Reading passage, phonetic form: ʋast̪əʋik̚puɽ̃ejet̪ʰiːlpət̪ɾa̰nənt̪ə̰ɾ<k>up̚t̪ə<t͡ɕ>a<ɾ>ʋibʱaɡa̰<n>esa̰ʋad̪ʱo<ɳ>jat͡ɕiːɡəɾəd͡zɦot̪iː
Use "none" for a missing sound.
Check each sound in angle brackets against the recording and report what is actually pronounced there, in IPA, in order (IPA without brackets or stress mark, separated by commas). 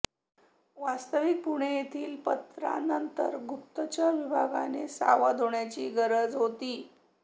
ɡ, t͡ɕ, none, n, ɳ